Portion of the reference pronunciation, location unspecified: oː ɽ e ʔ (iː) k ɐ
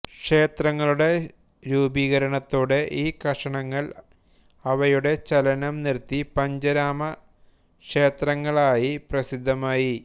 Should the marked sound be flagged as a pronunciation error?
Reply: no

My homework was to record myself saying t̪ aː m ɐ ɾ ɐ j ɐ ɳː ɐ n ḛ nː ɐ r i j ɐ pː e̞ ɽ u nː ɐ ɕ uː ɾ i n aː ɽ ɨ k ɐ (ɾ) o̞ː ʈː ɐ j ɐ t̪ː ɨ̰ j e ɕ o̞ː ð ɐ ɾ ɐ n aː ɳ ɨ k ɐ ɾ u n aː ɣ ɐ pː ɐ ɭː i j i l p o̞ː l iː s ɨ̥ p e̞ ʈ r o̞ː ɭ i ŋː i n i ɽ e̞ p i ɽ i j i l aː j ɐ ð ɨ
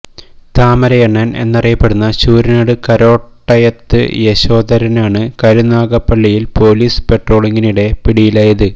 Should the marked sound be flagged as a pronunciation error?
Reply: no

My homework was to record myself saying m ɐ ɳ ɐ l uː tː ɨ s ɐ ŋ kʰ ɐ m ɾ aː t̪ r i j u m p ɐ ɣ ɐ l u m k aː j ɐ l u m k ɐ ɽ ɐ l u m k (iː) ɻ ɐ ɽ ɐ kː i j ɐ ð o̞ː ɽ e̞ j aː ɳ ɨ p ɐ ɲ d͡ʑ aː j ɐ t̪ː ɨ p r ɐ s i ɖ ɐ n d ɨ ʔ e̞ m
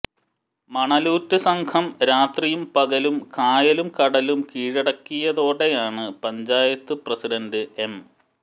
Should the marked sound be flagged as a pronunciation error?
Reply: no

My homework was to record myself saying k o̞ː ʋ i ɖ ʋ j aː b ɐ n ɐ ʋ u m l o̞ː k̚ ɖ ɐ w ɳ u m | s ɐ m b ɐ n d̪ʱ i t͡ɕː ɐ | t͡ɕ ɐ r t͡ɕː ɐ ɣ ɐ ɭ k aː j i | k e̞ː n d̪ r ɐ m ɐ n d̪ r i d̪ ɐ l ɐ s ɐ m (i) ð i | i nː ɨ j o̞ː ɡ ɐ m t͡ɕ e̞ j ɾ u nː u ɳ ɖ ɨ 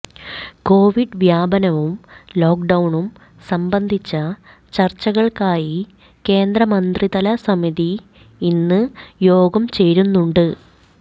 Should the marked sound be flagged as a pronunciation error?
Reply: no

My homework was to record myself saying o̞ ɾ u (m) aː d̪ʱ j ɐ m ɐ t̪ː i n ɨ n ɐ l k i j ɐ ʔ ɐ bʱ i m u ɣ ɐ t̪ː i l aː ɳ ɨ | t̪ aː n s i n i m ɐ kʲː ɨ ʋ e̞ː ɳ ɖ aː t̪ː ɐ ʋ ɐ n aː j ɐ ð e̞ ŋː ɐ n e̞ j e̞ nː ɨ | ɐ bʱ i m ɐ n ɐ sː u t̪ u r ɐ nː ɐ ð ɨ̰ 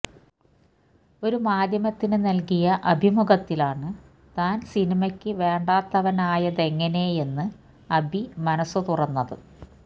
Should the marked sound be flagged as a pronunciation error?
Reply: no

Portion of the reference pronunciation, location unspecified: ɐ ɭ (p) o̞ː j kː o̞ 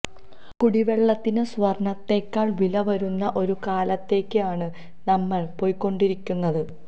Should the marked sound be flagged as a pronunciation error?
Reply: no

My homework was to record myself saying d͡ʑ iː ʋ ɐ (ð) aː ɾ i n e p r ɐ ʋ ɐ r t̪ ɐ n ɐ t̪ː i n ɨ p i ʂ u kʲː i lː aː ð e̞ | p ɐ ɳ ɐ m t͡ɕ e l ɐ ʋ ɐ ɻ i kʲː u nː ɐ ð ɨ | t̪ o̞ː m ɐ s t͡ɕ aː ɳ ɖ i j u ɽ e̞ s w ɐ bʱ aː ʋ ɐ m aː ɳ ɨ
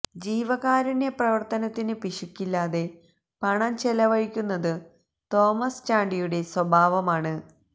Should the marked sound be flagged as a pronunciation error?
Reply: yes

